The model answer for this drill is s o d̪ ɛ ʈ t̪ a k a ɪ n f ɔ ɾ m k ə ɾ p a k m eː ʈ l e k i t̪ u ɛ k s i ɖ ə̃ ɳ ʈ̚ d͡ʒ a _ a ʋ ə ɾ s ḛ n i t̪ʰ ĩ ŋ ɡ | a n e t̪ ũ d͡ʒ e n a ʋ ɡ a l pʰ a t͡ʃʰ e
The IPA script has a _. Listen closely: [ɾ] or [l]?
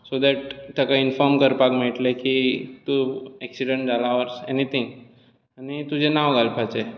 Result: l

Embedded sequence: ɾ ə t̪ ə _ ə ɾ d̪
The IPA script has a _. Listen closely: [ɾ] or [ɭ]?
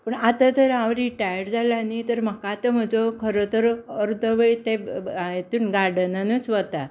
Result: ɾ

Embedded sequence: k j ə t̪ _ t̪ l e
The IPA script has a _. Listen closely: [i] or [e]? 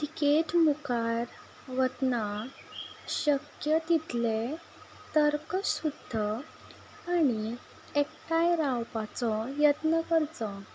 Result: i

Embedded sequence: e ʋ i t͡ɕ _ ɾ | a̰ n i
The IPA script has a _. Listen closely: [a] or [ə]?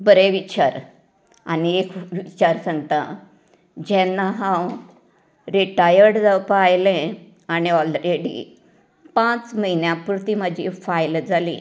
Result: a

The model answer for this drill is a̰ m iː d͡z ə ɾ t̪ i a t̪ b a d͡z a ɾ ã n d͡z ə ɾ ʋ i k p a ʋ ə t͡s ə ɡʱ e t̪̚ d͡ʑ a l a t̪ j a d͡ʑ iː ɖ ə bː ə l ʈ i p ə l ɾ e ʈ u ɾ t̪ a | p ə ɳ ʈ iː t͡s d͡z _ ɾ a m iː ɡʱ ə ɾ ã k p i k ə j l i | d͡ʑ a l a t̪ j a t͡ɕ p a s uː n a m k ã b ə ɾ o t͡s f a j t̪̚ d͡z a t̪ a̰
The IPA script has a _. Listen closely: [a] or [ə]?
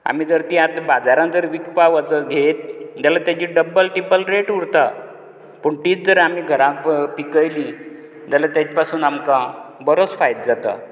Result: ə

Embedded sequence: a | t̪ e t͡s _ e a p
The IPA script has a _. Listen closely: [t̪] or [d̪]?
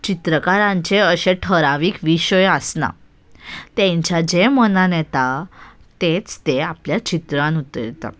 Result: t̪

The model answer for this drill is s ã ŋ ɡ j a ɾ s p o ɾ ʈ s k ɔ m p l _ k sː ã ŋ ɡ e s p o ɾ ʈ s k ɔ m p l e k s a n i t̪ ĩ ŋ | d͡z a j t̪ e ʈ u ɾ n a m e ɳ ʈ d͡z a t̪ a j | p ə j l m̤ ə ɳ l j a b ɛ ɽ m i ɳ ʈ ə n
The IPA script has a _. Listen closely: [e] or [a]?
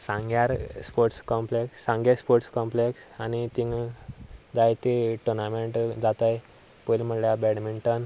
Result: e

